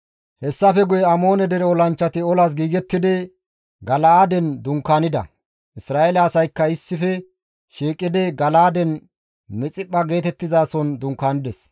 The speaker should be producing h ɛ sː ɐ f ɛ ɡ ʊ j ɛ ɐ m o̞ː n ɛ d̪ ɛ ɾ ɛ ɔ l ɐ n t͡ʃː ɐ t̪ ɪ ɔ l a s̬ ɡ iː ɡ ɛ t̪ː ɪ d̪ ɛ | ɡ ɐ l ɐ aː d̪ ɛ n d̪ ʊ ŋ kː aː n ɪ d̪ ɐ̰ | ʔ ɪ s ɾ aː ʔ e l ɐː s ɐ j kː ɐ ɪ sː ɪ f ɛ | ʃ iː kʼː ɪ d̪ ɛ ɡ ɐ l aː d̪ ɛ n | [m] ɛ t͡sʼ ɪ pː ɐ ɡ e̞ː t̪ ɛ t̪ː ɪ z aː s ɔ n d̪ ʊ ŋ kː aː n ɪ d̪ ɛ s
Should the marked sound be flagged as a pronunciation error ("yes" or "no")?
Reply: no